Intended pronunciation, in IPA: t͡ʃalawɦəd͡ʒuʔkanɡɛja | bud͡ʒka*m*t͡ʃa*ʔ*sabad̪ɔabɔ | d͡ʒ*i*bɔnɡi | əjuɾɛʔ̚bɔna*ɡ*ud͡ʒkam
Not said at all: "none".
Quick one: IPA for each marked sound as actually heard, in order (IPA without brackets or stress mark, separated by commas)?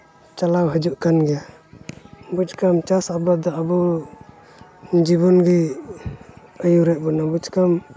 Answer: m, none, i, b